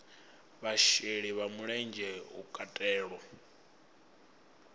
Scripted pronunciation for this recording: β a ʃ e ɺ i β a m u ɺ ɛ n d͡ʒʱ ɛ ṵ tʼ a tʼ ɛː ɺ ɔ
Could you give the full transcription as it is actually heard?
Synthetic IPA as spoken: β a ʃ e ɺ i β a m u ɺ ɛ n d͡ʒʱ ɛ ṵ kʼ a tʼ ɛː ɺ ɔ